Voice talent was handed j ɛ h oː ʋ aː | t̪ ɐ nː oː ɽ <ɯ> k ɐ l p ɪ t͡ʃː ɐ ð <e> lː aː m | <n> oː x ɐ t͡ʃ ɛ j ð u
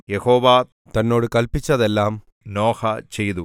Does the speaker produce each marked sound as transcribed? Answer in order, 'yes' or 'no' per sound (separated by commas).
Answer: yes, no, yes